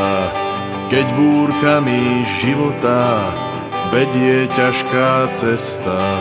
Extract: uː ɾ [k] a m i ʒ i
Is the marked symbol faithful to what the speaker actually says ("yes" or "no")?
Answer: yes